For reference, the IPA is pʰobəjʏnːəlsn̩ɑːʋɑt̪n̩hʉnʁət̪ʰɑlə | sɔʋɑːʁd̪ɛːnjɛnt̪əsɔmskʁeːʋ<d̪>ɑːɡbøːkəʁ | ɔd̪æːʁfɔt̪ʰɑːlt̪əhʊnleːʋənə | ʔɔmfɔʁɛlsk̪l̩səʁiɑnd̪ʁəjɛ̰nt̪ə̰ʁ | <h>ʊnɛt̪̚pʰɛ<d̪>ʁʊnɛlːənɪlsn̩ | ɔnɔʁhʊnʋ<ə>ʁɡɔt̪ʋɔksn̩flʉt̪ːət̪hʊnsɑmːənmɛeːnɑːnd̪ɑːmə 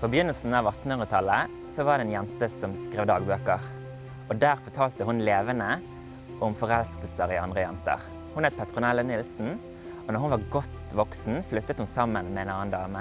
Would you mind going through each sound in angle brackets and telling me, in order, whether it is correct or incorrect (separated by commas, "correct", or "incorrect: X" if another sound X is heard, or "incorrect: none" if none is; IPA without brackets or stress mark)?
correct, correct, incorrect: t̪, incorrect: ɑ